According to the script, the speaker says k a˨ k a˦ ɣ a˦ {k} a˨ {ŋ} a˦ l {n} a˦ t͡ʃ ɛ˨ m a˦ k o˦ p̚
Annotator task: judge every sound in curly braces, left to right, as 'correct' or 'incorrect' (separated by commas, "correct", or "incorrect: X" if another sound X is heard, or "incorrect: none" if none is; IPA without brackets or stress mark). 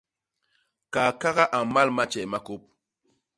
incorrect: ʔ, incorrect: m, incorrect: m